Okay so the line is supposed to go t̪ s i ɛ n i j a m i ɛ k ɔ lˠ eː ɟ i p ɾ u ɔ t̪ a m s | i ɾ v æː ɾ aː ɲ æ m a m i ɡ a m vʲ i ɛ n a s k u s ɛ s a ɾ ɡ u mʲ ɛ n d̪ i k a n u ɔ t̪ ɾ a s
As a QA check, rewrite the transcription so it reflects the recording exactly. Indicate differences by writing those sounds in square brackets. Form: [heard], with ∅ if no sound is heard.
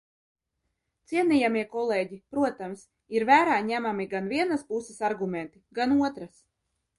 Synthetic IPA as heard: t̪ s i ɛ n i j a m i ɛ k ɔ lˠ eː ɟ i p ɾ u ɔ t̪ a m s | i ɾ v æː ɾ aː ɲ æ m a m i ɡ a [n] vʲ i ɛ n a s [p] u s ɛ s a ɾ ɡ u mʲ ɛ n [t̪] i [ɡ] a n u ɔ t̪ ɾ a s